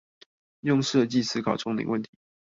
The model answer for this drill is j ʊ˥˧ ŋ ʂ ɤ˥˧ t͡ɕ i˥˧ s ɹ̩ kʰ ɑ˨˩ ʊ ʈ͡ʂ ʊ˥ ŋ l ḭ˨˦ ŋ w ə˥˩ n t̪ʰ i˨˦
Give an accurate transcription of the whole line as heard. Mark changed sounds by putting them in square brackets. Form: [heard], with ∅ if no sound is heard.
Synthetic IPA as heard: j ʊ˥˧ ŋ ʂ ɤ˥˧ t͡ɕ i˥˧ s ɹ̩ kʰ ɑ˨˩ ʊ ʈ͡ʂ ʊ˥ ŋ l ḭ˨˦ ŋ w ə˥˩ n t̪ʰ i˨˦